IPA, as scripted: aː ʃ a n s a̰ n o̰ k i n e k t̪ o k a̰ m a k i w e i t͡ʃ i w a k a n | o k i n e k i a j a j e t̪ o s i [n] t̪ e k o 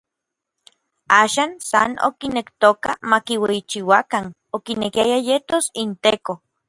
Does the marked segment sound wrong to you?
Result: no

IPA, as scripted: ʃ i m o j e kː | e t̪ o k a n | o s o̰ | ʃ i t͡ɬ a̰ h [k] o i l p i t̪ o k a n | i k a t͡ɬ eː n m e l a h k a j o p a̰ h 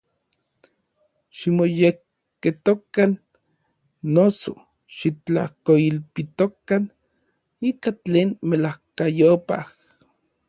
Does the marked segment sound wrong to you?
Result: no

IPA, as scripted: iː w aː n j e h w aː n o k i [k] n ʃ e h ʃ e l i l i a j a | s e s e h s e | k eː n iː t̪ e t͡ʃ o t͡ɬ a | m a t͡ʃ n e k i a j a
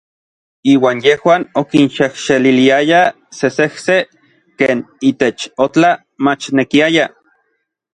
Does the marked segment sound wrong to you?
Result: yes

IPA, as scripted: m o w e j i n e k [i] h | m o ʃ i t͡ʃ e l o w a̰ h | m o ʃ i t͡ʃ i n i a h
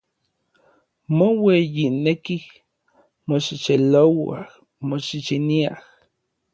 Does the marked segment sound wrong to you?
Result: no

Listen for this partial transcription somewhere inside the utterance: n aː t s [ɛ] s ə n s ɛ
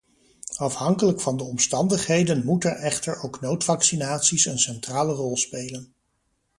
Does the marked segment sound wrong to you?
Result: yes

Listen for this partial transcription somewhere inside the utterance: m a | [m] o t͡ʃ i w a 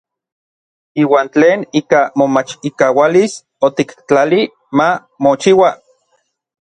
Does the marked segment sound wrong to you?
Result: no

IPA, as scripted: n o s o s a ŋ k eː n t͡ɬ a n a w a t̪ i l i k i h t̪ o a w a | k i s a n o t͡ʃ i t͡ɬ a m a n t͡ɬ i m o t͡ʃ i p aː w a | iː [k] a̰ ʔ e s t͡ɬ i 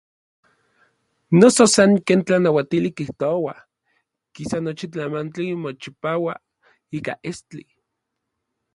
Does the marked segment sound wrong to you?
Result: no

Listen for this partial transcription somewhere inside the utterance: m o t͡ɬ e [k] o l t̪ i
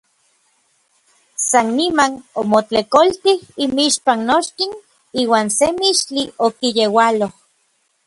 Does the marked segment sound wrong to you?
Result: no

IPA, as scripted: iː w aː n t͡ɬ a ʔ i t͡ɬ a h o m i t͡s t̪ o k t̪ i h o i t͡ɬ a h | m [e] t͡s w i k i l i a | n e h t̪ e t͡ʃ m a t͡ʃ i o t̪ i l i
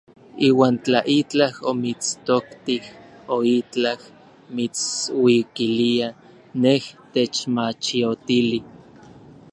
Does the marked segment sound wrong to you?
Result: yes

